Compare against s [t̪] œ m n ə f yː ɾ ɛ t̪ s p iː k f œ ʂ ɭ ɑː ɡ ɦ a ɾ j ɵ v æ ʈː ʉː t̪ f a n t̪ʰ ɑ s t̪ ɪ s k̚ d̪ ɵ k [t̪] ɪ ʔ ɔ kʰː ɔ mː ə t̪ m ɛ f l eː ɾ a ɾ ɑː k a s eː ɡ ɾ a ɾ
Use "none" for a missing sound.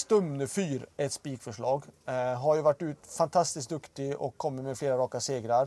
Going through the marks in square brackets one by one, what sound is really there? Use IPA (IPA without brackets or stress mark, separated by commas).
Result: t̪, t̪